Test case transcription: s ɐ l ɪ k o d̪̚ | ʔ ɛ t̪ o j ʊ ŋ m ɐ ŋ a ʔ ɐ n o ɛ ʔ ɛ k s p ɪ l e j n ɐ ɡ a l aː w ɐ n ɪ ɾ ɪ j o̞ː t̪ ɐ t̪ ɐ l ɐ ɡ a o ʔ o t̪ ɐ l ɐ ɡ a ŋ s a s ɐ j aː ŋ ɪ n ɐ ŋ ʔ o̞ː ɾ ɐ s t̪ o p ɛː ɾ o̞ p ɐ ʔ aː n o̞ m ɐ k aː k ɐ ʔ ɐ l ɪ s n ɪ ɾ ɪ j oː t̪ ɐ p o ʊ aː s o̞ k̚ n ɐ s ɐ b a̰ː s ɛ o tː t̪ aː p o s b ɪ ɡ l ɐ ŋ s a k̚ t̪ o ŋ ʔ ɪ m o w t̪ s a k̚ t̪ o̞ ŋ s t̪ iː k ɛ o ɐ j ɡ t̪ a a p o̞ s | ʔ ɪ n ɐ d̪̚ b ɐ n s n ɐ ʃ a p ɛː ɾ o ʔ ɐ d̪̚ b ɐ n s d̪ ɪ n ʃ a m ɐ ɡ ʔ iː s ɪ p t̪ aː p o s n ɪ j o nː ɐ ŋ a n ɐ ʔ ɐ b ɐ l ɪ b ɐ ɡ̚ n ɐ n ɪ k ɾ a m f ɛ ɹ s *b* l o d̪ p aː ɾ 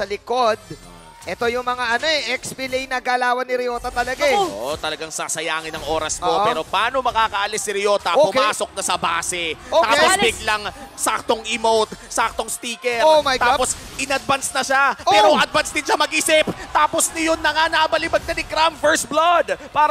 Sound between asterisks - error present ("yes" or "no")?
no